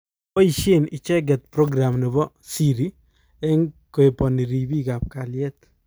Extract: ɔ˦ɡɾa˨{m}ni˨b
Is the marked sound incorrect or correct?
correct